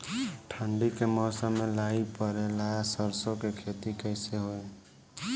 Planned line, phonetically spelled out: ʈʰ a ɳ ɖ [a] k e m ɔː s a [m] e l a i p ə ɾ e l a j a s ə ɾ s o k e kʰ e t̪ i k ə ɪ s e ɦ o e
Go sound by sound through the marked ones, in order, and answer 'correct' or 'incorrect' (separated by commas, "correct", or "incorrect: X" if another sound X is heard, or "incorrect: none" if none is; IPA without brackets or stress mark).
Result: incorrect: i, correct